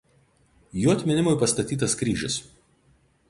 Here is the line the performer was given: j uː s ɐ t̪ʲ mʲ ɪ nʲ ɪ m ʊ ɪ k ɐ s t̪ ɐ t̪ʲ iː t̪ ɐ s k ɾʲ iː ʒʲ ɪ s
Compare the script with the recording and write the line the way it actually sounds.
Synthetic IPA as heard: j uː ɐ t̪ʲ mʲ ɪ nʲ ɪ m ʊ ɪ p ɐ s t̪ ɐ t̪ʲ iː t̪ ɐ s k ɾʲ iː ʒʲ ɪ s